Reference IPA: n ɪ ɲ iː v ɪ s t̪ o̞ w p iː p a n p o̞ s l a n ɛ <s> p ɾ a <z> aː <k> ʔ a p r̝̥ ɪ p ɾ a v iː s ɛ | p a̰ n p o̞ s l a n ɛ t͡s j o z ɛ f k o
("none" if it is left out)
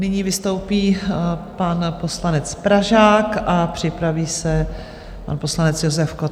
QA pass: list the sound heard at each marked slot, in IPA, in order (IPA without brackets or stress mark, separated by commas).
t͡s, ʒ, k